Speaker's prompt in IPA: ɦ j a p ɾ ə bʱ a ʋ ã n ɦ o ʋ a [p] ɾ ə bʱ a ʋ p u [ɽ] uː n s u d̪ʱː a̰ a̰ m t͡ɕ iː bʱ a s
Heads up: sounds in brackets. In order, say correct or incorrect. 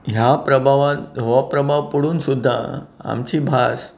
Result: correct, correct

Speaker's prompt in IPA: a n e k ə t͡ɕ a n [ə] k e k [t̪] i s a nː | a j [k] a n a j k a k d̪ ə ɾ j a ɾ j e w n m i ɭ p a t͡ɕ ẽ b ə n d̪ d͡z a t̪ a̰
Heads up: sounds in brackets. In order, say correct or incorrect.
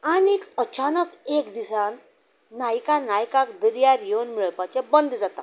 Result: correct, incorrect, correct

